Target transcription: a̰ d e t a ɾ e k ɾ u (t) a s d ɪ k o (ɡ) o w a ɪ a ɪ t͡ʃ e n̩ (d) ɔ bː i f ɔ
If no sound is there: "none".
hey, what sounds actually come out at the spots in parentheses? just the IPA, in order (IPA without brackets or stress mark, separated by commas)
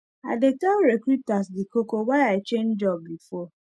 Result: t, k, d͡ʒ